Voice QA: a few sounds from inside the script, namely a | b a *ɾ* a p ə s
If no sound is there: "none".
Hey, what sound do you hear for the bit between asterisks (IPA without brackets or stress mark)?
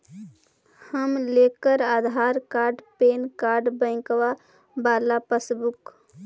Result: l